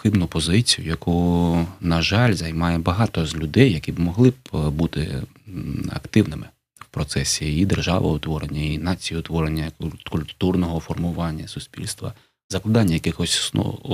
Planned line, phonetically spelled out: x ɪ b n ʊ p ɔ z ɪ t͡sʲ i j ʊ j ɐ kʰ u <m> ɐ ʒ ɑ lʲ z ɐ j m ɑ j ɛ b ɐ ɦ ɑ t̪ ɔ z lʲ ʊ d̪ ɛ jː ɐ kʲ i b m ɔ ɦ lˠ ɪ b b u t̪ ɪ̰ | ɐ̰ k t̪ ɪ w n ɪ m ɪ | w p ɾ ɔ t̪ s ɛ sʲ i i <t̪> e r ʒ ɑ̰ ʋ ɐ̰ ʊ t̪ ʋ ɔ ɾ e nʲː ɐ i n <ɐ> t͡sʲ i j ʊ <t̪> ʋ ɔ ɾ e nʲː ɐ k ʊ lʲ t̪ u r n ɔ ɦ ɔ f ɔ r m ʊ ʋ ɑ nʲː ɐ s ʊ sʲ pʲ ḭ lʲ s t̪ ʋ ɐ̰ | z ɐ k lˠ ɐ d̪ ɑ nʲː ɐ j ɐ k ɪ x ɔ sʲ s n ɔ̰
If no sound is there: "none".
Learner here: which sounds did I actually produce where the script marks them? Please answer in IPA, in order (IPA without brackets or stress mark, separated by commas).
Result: n, d̪, ɑ, t̪